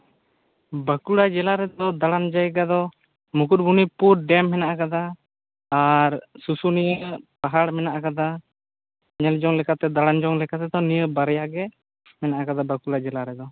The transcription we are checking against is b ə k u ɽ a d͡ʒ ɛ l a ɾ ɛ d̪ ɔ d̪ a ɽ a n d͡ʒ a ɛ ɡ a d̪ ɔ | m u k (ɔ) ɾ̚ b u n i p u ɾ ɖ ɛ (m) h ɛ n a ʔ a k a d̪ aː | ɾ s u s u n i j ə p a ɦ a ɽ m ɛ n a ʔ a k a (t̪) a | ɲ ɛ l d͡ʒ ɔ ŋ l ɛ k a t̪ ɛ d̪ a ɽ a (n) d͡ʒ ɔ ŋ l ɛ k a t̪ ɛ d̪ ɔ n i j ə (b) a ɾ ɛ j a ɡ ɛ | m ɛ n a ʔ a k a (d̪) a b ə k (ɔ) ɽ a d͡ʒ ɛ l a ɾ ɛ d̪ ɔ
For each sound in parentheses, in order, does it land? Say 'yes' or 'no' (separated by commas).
no, yes, no, yes, yes, yes, no